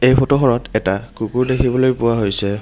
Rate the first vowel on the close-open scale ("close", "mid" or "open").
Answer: mid